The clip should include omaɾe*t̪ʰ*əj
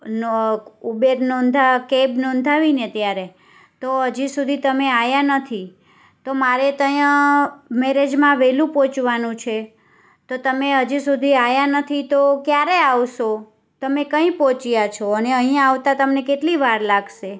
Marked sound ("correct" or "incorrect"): incorrect